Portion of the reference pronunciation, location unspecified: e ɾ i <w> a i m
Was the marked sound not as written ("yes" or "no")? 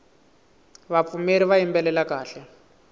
yes